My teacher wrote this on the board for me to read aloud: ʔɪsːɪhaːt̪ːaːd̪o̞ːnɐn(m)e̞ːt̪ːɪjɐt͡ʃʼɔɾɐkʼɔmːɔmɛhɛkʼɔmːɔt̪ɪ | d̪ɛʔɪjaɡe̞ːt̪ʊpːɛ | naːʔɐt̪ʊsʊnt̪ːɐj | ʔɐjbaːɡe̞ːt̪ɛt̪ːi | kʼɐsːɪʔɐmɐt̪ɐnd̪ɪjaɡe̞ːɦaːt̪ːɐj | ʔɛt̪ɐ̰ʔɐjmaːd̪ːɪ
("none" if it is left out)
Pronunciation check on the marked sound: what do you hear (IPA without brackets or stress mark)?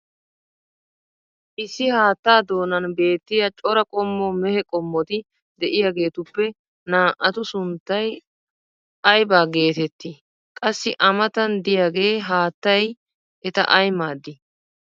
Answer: b